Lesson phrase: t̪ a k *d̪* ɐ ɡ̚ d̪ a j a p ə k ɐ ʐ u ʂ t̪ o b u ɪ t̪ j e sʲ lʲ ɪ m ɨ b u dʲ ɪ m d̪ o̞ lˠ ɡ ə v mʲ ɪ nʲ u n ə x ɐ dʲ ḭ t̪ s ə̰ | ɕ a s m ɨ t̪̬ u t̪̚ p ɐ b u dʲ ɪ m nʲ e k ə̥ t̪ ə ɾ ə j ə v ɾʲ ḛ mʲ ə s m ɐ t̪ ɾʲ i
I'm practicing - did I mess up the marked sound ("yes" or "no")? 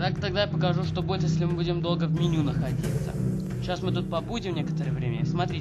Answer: yes